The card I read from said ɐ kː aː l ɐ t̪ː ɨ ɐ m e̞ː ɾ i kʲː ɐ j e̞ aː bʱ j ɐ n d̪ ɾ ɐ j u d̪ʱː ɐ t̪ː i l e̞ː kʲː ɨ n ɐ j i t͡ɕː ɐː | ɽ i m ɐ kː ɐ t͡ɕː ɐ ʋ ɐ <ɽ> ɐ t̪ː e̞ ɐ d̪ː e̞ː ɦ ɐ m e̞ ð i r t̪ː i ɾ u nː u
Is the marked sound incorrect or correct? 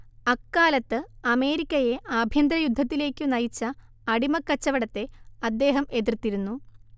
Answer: correct